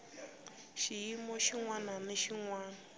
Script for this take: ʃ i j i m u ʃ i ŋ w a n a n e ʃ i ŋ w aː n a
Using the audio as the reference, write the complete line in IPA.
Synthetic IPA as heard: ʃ i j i m ɔ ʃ i ŋ w a n a n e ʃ i ŋ w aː n a